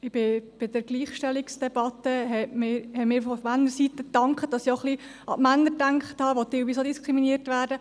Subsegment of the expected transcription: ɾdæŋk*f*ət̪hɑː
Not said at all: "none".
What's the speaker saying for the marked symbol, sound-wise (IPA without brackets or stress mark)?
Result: χ